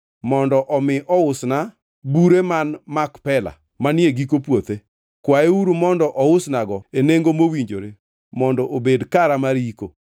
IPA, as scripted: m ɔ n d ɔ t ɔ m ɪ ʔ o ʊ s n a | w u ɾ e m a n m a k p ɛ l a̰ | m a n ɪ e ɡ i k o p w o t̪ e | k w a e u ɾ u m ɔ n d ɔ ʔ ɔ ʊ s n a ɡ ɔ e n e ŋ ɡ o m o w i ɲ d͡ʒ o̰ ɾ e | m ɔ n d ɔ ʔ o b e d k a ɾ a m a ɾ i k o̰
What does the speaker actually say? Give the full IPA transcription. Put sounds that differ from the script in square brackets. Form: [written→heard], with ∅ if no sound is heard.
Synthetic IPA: m ɔ n d ɔ [t→ʔ] ɔ m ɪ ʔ [o→ɔ] ʊ s n a | [w→b] u ɾ e m a n m a k p ɛ l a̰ | m a n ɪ e ɡ i k o p w o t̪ e | k w a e u ɾ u m ɔ n d ɔ ʔ ɔ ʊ s n a ɡ ɔ e n e ŋ ɡ o m o w i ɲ d͡ʒ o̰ ɾ e | m ɔ n d ɔ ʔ o b e d k a ɾ a m a ɾ i k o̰